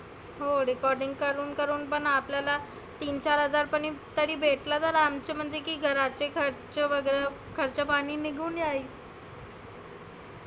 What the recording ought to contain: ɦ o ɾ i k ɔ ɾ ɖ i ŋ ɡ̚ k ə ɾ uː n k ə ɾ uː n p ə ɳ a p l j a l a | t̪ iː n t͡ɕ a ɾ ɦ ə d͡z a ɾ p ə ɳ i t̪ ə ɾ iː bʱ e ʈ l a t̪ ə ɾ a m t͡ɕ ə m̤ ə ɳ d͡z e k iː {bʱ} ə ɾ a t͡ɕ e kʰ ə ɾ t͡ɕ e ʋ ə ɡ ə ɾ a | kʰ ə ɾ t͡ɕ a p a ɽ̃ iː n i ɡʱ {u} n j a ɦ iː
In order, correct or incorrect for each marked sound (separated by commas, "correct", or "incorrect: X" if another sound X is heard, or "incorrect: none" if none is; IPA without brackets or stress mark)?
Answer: incorrect: ɡʱ, incorrect: uː